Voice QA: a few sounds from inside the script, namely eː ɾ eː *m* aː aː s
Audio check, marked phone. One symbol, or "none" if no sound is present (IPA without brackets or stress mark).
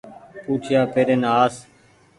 n